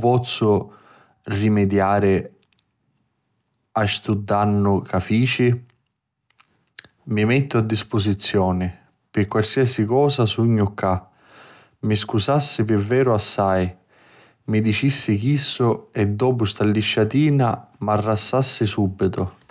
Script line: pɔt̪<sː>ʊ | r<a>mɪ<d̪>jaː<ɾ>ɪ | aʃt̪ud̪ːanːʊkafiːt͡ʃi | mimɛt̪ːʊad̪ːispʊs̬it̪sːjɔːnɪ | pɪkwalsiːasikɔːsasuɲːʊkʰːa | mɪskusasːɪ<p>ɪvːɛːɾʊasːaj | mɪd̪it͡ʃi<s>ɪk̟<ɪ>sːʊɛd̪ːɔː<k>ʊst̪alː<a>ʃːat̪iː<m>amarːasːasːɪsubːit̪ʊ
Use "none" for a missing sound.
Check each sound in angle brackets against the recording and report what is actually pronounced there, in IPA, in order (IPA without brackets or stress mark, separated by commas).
sː, i, d̪, ɾ, p, sː, i, p, i, n